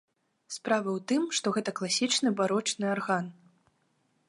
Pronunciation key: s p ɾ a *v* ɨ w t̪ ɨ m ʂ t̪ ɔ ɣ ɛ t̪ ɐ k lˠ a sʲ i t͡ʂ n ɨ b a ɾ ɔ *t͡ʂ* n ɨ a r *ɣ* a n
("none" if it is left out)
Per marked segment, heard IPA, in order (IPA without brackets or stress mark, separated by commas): v, t͡ʂ, ɣ